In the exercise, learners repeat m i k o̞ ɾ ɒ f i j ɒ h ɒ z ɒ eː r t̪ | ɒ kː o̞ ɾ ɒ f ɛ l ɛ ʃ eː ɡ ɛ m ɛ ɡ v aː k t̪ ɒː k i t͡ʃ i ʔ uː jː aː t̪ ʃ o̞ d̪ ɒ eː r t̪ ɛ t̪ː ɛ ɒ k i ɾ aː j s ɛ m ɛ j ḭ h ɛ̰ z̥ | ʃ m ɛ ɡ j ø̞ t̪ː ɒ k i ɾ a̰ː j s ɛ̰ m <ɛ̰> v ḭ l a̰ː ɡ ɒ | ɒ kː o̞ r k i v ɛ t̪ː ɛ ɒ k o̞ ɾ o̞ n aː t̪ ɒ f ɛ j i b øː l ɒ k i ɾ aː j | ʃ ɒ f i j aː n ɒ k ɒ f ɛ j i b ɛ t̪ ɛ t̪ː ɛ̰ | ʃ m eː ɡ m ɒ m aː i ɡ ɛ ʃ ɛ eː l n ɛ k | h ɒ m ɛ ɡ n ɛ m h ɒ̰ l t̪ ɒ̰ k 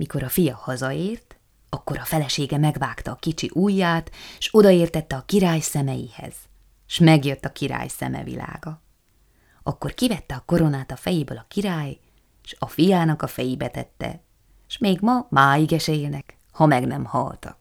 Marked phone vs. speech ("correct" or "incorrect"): correct